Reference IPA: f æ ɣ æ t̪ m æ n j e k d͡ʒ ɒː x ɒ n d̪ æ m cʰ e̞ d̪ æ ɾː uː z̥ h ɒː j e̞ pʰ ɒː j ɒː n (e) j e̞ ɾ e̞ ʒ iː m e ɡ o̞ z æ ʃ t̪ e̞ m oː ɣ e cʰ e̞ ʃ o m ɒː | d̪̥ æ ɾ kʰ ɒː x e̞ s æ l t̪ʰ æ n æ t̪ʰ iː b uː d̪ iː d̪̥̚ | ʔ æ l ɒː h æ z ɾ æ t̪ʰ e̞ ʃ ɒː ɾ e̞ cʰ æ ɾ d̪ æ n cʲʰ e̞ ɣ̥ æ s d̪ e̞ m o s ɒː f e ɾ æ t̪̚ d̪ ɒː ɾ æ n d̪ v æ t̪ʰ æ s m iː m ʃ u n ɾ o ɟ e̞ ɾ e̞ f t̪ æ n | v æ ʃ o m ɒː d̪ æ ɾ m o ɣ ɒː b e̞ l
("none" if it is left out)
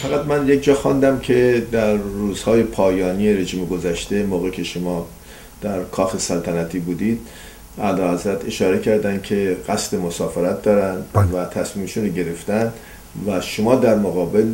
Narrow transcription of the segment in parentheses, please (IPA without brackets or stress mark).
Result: i